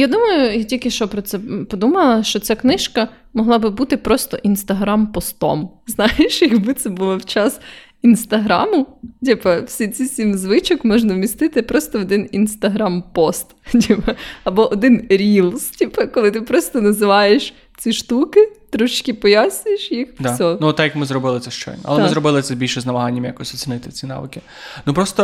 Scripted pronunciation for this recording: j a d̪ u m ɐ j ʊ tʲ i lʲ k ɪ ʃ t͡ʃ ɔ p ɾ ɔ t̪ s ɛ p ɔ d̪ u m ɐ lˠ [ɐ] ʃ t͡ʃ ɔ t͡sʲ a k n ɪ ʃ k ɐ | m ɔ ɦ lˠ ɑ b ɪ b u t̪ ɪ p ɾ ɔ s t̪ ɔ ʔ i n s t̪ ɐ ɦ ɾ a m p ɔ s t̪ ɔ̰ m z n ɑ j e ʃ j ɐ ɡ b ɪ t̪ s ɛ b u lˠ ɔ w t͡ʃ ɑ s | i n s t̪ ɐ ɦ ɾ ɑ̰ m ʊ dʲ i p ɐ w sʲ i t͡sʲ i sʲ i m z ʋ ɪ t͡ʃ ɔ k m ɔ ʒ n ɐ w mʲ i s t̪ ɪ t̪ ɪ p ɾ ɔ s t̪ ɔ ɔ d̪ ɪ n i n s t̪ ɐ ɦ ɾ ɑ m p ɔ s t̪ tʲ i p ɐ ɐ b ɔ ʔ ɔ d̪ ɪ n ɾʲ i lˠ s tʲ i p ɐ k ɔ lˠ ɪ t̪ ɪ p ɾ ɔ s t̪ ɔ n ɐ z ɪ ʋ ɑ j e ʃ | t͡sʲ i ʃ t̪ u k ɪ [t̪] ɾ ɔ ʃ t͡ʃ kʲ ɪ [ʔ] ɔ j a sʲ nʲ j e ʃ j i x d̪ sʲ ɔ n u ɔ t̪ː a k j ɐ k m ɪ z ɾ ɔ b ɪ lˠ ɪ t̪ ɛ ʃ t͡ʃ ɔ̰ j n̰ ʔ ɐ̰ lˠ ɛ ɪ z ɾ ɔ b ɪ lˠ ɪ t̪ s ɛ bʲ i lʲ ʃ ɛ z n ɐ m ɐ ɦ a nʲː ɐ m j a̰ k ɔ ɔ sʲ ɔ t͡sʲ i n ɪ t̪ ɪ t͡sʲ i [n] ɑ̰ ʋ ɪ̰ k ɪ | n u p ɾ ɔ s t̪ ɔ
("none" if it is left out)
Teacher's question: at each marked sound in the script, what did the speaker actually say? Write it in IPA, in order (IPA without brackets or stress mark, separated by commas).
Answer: ɐ, t̪, p, n